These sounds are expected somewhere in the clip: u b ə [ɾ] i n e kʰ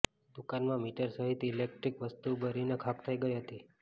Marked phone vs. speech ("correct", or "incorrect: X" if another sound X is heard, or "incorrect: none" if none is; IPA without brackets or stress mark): correct